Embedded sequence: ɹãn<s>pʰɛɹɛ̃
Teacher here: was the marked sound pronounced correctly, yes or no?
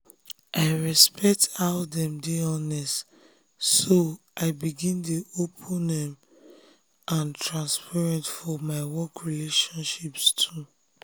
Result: yes